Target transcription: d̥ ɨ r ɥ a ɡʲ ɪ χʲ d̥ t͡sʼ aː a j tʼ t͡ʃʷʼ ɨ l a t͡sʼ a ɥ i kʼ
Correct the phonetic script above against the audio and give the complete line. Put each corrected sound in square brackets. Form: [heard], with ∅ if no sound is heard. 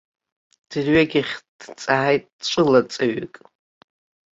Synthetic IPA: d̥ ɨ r ɥ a ɡʲ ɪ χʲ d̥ t͡sʼ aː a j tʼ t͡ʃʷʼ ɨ l a t͡sʼ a ɥ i kʼ